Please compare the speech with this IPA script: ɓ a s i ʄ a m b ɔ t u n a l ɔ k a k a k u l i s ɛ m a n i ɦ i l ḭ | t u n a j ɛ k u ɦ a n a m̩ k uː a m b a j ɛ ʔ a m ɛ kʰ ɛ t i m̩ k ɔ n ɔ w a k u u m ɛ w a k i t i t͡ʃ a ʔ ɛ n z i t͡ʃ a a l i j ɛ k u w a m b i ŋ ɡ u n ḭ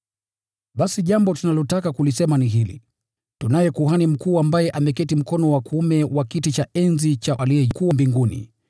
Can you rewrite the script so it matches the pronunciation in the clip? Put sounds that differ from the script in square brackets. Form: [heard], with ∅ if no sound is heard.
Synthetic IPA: ɓ a s i ʄ a m b ɔ t u n a l ɔ [t] a k a k u l i s ɛ m a n i ɦ i l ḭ | t u n a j ɛ k u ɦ a n [i] m̩ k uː a m b a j ɛ ʔ a m ɛ [k] ɛ t i m̩ k ɔ n ɔ w a k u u m ɛ w a k i t i t͡ʃ a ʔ ɛ n z i t͡ʃ a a l i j ɛ k u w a m b i ŋ ɡ u n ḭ